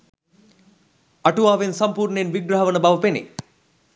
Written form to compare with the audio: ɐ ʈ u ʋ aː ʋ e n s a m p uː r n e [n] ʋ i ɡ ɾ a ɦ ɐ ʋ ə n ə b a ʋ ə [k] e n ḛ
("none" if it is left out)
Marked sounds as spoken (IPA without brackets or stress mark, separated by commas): n, p